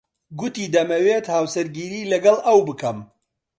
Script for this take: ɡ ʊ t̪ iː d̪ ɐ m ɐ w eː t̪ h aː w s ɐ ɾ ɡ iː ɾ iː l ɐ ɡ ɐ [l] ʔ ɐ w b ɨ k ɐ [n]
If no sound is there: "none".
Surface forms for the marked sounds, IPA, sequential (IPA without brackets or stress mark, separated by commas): l, m